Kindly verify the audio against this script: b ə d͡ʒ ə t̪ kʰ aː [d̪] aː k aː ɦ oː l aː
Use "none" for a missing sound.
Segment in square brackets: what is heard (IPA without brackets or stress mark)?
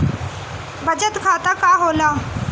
t̪